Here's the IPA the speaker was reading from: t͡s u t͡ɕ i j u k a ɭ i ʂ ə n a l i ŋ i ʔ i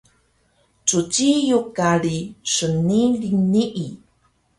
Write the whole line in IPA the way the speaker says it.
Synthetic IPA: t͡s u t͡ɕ i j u k a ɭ i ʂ ə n i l i n i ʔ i